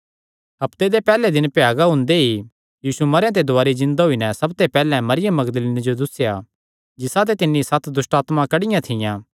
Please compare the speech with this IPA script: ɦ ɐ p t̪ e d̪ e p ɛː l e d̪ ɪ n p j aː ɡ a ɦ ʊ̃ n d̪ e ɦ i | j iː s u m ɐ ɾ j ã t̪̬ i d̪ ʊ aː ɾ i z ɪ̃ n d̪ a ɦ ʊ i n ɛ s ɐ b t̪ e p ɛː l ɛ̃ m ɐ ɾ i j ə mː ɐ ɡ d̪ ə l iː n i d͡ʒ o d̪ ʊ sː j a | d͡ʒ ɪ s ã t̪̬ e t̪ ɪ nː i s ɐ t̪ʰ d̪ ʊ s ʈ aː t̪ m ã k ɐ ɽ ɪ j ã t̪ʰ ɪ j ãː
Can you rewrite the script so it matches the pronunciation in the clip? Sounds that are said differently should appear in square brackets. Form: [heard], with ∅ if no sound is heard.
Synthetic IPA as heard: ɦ ɐ p t̪ e d̪ e p ɛː l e d̪ ɪ n p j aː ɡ a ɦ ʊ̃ n d̪ e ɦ i | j iː s u m ɐ ɾ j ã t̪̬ [e] d̪ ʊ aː ɾ i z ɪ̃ n d̪ a ɦ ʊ i n ɛ s ɐ b t̪ e p ɛː l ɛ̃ m ɐ ɾ [ɪ] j ə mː ɐ ɡ d̪ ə l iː n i d͡ʒ o d̪ ʊ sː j a | d͡ʒ ɪ s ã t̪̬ e t̪ ɪ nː i s ɐ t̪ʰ d̪ ʊ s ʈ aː t̪ m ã k ɐ ɽ ɪ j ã t̪ʰ ɪ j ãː

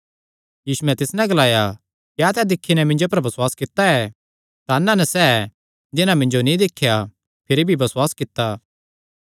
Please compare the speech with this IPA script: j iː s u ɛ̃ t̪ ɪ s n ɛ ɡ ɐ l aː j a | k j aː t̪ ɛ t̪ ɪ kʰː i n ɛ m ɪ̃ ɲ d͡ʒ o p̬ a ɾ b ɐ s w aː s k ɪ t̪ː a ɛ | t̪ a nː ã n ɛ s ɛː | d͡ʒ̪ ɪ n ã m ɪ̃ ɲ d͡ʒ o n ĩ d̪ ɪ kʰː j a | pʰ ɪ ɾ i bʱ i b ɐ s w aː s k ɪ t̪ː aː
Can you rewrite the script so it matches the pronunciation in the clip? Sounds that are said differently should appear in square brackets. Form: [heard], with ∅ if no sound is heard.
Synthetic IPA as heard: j iː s u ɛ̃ t̪ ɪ s n ɛ ɡ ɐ l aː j a | k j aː t̪ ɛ [d̪] ɪ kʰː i n ɛ m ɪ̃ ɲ d͡ʒ o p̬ [ɐ] ɾ b ɐ s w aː s k ɪ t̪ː a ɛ | t̪ a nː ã n ɛ s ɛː | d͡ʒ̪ ɪ n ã m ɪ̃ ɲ d͡ʒ o n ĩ d̪ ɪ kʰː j a | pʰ ɪ ɾ i bʱ i b ɐ s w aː s k ɪ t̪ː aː

